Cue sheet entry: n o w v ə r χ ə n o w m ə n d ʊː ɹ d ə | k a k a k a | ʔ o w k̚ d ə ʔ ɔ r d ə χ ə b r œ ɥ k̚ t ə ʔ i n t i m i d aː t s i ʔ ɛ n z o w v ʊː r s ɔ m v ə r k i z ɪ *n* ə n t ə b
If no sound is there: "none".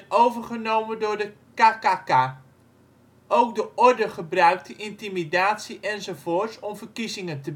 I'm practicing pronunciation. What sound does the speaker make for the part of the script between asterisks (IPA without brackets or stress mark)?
ŋ